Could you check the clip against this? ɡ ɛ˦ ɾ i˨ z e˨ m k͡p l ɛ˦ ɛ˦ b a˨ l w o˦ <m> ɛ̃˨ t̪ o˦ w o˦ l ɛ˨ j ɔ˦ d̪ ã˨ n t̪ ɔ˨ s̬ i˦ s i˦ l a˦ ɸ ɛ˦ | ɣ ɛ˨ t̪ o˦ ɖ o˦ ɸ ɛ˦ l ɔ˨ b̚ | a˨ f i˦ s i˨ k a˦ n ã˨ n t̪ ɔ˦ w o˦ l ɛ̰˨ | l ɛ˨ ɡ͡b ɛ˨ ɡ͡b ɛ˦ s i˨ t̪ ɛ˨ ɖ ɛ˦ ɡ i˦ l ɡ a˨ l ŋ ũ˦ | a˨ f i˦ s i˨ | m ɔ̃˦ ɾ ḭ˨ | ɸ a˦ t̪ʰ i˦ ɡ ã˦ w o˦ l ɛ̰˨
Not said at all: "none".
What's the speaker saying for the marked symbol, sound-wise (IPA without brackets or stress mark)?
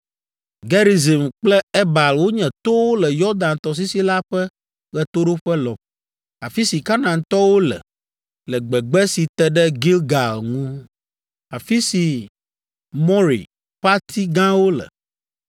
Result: ɲ